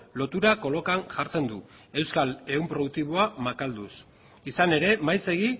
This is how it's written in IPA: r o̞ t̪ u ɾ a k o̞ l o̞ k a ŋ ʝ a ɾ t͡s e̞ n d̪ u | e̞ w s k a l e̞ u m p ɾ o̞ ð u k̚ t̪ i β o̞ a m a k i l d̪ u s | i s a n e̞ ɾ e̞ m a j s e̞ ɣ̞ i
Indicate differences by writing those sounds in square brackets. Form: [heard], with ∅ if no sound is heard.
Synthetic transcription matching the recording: [l] o̞ t̪ u ɾ a k o̞ l o̞ k a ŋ ʝ a ɾ t͡s e̞ n d̪ u | e̞ w s k a l e̞ u m p ɾ o̞ ð u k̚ t̪ i β o̞ a m a k [a] l d̪ u s | i s a n e̞ ɾ e̞ m a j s e̞ ɣ̞ i